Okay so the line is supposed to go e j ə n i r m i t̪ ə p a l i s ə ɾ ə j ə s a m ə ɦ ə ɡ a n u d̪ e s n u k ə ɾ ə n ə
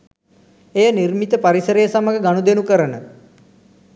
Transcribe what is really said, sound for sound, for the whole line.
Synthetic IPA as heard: e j ə n i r m i t̪ ə p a ɾ i s ə ɾ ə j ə s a m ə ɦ ə ɡ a n u d̪ e n u k ə ɾ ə n ə